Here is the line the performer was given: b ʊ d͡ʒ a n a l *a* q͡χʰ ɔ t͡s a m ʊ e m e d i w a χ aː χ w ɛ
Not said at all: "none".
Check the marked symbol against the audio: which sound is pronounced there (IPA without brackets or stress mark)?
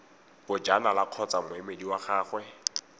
a